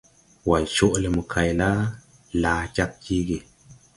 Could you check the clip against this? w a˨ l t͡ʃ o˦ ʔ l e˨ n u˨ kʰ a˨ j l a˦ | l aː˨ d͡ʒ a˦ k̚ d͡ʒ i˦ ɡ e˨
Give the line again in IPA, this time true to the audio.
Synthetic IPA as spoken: w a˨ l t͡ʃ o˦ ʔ l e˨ m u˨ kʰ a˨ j l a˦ | l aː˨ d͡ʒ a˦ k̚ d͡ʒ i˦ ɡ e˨